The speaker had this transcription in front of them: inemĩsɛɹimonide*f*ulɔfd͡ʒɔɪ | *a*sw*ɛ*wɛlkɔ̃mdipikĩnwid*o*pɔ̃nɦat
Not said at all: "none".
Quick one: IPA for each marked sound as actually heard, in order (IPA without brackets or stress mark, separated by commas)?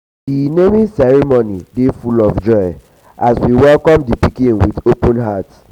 f, a, i, o